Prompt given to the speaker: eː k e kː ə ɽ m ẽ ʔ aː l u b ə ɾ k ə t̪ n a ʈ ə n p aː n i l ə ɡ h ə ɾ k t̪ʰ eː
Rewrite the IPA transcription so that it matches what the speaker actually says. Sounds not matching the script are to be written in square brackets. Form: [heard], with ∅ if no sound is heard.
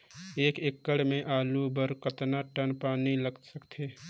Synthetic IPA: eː k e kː ə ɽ m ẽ ʔ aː l u b ə ɾ k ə t̪ n a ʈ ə n p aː n i l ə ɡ [s] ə [∅] k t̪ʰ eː